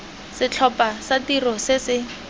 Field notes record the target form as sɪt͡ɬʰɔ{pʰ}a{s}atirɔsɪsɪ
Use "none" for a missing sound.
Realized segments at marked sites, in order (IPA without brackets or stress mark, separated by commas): p, s